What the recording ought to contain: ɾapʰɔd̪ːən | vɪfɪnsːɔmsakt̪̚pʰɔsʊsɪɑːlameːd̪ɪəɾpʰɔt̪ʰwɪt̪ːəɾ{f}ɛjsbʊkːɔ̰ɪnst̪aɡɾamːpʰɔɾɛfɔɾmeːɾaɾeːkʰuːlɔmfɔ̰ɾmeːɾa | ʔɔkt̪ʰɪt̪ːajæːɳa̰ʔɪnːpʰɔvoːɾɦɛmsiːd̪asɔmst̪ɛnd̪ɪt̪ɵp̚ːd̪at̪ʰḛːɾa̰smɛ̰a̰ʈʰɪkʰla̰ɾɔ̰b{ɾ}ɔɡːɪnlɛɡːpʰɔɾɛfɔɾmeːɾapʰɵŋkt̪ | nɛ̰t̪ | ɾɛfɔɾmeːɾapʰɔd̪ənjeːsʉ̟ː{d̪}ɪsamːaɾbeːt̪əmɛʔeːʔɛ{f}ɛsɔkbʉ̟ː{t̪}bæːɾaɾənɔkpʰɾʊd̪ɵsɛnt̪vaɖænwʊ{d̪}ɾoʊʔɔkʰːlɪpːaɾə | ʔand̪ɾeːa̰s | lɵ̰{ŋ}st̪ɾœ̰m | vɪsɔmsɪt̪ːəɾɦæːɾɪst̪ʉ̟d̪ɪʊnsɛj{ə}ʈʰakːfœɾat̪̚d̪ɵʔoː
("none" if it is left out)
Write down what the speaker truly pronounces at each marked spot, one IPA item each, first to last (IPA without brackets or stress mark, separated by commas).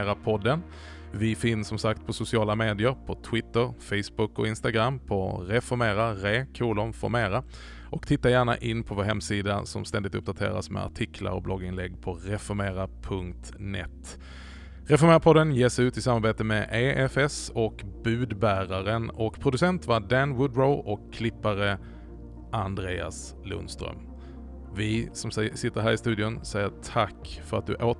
f, l, t̪, f, d̪, d̪, n, ə